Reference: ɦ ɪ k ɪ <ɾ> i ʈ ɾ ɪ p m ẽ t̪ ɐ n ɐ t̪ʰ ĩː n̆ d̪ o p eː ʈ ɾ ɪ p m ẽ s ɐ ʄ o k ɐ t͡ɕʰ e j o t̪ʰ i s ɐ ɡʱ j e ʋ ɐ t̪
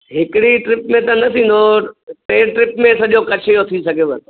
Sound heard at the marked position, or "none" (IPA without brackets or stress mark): ɽ